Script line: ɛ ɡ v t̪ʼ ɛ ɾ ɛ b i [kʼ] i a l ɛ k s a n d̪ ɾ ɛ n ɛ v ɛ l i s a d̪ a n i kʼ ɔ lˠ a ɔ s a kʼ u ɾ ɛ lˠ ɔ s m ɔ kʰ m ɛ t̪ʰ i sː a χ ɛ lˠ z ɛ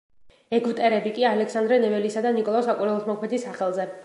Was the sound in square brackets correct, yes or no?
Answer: yes